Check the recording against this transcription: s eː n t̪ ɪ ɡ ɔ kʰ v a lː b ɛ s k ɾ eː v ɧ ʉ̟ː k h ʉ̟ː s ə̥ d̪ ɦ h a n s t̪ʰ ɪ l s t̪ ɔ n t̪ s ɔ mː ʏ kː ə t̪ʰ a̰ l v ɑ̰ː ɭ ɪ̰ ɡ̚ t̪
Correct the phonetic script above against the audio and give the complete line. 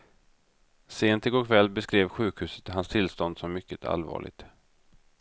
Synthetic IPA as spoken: s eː n t̪ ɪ ɡ ɔ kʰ v ɛ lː b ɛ s k ɾ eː v ɧ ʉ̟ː k h ʉ̟ː s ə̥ t̪ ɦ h a n s t̪ʰ ɪ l s t̪ ɔ n d̪ s ɔ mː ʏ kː ə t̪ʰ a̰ l v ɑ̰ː ɭ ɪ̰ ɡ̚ t̪